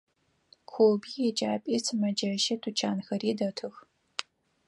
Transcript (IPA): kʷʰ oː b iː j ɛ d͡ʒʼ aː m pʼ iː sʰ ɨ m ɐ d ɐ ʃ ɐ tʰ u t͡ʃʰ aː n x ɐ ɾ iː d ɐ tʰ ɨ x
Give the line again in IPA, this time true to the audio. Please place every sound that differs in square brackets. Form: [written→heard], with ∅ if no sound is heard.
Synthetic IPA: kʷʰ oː b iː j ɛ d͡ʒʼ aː [m→∅] pʼ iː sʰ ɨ m ɐ [d→d͡ʒ] ɐ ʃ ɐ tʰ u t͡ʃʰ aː n x ɐ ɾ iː d ɐ tʰ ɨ x